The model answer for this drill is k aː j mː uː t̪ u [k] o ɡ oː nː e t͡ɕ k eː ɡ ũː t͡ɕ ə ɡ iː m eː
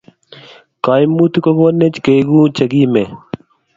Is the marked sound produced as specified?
yes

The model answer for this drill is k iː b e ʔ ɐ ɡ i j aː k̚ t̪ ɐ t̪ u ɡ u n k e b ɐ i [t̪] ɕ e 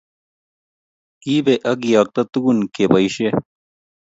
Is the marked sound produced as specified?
no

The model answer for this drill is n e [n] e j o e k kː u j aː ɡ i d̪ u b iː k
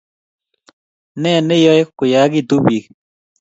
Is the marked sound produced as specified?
yes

